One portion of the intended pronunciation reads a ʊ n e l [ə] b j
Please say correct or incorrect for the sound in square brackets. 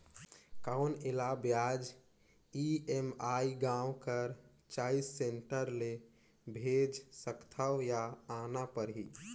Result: incorrect